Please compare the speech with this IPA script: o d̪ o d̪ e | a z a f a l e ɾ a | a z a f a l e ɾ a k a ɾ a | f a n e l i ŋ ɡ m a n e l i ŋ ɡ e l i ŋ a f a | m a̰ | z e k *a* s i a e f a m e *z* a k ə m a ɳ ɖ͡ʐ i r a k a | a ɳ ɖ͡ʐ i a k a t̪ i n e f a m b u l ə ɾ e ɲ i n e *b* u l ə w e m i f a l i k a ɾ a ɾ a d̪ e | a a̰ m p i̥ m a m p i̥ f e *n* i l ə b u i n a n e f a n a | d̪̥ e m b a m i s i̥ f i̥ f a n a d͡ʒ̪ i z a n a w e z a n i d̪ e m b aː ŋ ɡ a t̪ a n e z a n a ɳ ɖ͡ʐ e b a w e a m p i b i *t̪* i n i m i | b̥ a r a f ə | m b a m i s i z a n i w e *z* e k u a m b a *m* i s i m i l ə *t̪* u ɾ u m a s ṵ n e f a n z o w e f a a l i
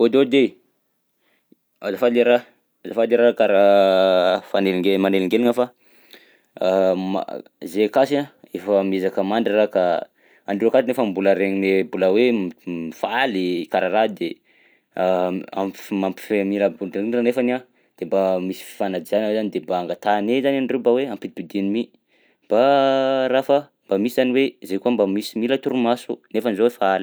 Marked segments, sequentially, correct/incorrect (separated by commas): correct, correct, correct, incorrect, incorrect, correct, correct, correct